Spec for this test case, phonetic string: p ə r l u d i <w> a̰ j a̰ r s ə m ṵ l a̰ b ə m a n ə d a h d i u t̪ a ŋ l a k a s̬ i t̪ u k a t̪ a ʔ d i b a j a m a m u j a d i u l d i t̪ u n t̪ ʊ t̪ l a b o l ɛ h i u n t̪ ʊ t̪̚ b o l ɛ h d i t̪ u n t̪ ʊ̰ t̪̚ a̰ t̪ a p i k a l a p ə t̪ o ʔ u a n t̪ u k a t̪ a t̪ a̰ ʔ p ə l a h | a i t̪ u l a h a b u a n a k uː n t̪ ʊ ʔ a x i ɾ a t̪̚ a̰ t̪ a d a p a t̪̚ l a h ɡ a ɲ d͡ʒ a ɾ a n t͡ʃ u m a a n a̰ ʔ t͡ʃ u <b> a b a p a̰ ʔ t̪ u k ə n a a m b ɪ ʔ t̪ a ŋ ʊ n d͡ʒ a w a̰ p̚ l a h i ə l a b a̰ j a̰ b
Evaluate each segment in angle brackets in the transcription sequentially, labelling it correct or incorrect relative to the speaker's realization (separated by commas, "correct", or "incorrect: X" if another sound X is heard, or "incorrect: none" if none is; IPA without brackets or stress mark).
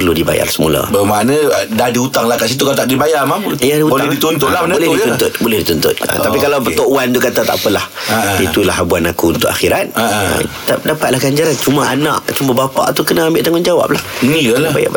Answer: incorrect: b, incorrect: m